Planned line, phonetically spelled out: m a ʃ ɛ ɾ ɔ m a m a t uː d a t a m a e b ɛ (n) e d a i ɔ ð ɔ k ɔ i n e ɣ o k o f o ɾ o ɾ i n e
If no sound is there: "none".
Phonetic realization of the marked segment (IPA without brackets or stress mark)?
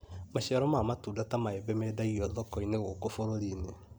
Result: m